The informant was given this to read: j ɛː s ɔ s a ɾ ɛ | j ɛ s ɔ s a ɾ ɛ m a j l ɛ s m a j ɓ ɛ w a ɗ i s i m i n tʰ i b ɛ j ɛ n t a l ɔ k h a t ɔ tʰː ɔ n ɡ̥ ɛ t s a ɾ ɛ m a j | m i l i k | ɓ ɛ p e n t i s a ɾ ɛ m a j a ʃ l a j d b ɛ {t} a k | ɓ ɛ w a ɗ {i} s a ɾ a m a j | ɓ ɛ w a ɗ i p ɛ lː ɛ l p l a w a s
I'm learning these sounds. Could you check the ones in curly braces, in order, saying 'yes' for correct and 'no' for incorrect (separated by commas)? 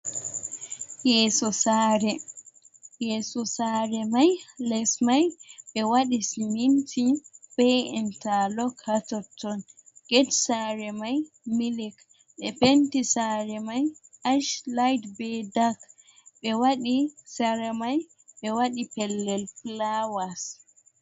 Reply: no, yes